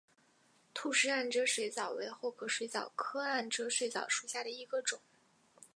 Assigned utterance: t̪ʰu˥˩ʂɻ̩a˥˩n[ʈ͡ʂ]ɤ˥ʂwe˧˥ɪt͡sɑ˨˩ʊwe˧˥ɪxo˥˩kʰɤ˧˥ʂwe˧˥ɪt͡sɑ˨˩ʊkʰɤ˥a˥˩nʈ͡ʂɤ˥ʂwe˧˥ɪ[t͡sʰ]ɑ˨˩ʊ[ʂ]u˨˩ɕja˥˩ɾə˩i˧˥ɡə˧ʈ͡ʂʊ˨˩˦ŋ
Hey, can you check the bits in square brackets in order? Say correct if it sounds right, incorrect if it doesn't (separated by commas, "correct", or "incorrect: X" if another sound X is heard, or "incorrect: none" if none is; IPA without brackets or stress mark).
correct, incorrect: t͡s, correct